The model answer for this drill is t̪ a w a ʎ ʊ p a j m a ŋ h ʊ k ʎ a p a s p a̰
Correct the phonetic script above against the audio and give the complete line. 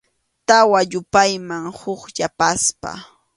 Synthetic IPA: t̪ a w a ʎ ʊ p a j m a ŋ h ʊ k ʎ a p a s p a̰